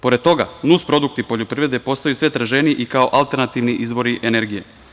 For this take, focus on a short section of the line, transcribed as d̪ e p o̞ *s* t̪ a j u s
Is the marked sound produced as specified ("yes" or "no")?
yes